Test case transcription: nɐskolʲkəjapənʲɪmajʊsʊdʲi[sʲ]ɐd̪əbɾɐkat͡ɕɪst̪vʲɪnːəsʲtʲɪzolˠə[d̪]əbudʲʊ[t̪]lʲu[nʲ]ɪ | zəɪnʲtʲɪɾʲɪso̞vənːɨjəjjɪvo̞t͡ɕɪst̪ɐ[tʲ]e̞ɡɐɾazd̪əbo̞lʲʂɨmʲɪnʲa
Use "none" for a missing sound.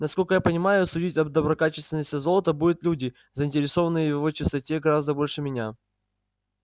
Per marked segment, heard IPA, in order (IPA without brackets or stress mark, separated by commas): tʲ, t̪, t̪, dʲ, tʲ